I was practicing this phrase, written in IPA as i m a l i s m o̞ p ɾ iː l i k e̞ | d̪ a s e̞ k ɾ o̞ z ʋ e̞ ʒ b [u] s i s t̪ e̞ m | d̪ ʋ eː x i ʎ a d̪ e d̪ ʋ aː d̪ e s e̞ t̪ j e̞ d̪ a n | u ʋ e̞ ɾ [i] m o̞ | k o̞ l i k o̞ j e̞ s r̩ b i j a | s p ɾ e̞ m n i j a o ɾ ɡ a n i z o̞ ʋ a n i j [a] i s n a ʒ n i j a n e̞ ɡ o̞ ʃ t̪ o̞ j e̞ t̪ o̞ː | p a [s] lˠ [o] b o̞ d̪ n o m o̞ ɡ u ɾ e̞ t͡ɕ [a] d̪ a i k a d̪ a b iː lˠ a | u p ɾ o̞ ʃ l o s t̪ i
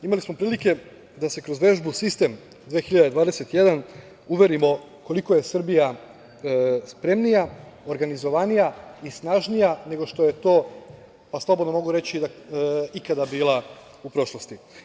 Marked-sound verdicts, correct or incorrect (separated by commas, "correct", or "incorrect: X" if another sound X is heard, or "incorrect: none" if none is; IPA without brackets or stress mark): correct, correct, correct, correct, correct, incorrect: i